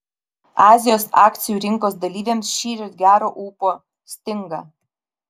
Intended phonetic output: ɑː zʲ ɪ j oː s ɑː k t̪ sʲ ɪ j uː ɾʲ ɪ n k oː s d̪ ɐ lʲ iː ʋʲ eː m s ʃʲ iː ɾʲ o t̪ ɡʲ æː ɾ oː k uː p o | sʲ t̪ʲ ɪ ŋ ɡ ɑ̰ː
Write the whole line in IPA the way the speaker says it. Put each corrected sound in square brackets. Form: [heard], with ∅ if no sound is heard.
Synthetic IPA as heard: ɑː zʲ ɪ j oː s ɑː k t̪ sʲ ɪ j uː ɾʲ ɪ [ŋ] k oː s d̪ ɐ lʲ iː ʋʲ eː m s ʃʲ iː ɾʲ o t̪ ɡʲ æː ɾ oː [ʔ] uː p o | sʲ t̪ʲ ɪ ŋ ɡ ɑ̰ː

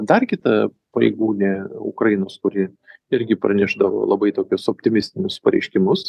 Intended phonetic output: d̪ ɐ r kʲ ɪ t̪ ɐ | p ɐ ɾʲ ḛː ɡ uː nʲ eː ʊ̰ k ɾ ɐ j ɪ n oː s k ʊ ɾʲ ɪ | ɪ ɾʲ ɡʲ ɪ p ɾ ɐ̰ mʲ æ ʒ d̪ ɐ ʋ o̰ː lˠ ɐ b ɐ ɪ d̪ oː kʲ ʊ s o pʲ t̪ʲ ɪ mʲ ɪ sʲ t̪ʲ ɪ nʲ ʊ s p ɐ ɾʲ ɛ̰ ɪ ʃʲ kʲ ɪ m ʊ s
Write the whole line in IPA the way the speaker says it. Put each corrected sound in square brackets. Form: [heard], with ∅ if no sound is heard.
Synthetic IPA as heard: d̪ ɐ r kʲ ɪ t̪ ɐ | p ɐ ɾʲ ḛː ɡ uː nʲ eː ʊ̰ k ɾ ɐ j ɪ n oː s k ʊ ɾʲ ɪ | ɪ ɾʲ ɡʲ ɪ p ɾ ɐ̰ [nʲ] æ ʒ d̪ ɐ ʋ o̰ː lˠ ɐ b ɐ ɪ [t̪] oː kʲ ʊ s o pʲ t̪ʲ ɪ mʲ ɪ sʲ t̪ʲ ɪ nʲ ʊ s p ɐ ɾʲ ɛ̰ ɪ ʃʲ kʲ ɪ m ʊ s

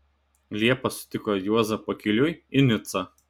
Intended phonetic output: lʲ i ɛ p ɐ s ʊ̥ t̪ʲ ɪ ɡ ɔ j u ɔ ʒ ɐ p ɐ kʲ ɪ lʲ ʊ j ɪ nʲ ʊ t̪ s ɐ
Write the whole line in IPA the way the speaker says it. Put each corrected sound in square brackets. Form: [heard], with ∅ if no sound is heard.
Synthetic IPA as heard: lʲ i ɛ p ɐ s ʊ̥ t̪ʲ ɪ [k] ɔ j u ɔ [z] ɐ p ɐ kʲ ɪ lʲ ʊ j ɪ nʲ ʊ t̪ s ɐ

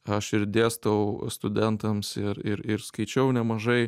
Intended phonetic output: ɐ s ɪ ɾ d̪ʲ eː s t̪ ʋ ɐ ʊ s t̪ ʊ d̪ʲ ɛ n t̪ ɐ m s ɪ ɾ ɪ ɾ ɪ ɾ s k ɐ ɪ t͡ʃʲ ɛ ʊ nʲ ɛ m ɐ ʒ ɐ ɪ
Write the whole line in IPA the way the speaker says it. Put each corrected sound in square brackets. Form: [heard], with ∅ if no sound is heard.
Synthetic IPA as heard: ɐ [ʃ] ɪ ɾ d̪ʲ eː s t̪ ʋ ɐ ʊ s t̪ ʊ d̪ʲ ɛ n t̪ ɐ m s ɪ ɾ ɪ ɾ ɪ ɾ s k ɐ ɪ t͡ʃʲ ɛ ʊ nʲ ɛ m ɐ ʒ ɐ ɪ

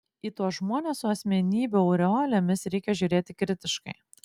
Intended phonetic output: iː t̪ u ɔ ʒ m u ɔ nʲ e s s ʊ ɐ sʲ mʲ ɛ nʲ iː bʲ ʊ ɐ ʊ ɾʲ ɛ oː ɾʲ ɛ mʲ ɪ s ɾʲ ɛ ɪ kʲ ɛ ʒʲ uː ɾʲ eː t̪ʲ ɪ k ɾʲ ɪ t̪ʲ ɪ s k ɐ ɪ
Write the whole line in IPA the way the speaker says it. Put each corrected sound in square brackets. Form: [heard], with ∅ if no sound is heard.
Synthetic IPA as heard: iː t̪ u ɔ ʒ m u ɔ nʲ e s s ʊ ɐ sʲ mʲ ɛ nʲ iː bʲ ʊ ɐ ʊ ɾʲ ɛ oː [lʲ] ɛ mʲ ɪ s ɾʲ ɛ ɪ kʲ ɛ ʒʲ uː ɾʲ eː t̪ʲ ɪ k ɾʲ ɪ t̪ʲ ɪ [ʃ] k ɐ ɪ

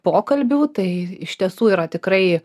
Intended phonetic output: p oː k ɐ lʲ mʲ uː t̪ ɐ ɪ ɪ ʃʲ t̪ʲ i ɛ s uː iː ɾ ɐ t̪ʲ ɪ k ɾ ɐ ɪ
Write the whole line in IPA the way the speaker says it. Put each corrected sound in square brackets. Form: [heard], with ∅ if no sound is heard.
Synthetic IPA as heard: p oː k ɐ lʲ [bʲ] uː t̪ ɐ ɪ ɪ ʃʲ t̪ʲ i ɛ s uː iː ɾ ɐ t̪ʲ ɪ k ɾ ɐ ɪ

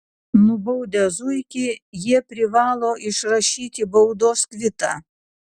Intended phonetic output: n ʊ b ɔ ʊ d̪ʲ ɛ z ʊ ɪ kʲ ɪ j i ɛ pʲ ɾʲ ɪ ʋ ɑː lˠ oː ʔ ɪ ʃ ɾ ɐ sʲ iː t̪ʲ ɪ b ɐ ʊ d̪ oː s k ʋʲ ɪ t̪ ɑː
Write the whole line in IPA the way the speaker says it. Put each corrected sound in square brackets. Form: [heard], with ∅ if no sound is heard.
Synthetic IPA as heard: n ʊ b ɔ ʊ d̪ʲ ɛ z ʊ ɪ kʲ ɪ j i ɛ pʲ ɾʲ ɪ ʋ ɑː lˠ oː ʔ ɪ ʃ ɾ ɐ [ʃʲ] iː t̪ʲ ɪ b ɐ ʊ d̪ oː s k ʋʲ ɪ t̪ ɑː

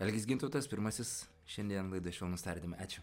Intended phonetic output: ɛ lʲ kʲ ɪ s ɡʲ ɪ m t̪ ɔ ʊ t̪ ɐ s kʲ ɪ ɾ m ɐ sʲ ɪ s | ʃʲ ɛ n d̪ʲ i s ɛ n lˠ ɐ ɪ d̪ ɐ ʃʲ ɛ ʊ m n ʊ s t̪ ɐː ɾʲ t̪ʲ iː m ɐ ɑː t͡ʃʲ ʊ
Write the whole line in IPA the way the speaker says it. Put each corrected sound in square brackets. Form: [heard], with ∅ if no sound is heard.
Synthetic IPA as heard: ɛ lʲ [ɡʲ] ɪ s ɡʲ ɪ [n] t̪ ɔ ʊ t̪ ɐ s [pʲ] ɪ ɾ m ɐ sʲ ɪ s | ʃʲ ɛ n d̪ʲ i [∅] ɛ n lˠ ɐ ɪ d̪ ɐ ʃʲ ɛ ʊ [∅] n ʊ s t̪ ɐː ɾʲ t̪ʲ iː m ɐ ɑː t͡ʃʲ ʊ

